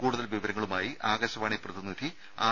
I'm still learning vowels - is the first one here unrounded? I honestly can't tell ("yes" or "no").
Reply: no